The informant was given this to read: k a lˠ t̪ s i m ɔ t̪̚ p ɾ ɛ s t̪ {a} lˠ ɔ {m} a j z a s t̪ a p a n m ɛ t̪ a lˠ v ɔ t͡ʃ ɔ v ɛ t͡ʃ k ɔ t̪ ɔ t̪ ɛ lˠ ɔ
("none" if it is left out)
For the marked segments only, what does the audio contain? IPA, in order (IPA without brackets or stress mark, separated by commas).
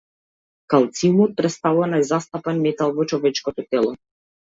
a, n